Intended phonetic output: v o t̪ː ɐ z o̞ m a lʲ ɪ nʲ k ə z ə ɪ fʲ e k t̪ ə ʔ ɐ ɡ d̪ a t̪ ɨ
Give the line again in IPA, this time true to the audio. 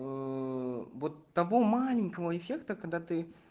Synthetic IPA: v o t̪ː ɐ v o̞ m a lʲ ɪ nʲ k ə v ə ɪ fʲ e k t̪ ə k ɐ ɡ d̪ a t̪ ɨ